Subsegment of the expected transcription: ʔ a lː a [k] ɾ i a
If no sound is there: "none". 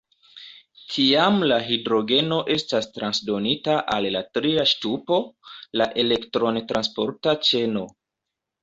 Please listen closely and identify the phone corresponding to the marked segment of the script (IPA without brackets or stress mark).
t